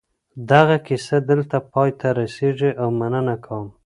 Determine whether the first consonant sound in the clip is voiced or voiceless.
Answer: voiced